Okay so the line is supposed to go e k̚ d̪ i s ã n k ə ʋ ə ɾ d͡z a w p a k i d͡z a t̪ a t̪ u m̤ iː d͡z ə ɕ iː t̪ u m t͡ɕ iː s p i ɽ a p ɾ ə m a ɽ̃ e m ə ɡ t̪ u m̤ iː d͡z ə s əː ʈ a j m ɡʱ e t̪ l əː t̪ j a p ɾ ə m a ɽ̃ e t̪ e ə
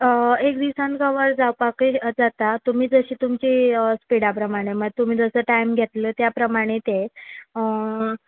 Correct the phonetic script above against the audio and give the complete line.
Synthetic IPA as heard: e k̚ d̪ i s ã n k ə ʋ ə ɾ d͡z a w p a k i d͡z a t̪ a t̪ u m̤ iː d͡z ə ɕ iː t̪ u m t͡ɕ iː s p i ɽ a p ɾ ə m a ɽ̃ e m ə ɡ t̪ u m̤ iː d͡z ə s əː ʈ a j m ɡʱ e t̪ l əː t̪ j a p ɾ ə m a ɽ̃ e t̪ e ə